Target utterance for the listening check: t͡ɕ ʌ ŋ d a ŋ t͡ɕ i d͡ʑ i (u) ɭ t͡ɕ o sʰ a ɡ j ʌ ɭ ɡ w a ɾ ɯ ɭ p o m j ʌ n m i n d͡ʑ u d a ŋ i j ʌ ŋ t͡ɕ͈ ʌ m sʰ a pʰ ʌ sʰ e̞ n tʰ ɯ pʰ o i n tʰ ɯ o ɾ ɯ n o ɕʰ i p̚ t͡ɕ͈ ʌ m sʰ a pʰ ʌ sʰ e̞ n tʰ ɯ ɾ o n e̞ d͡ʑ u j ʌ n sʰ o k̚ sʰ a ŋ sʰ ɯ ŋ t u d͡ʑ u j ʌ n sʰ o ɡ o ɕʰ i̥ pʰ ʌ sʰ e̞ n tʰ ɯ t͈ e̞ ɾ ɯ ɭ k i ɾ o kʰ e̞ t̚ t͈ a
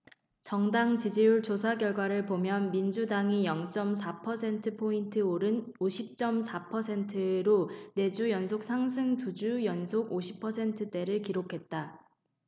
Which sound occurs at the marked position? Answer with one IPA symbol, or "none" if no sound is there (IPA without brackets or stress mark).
u